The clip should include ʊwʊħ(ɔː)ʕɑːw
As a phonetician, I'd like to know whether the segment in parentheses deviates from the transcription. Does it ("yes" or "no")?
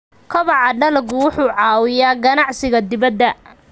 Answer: yes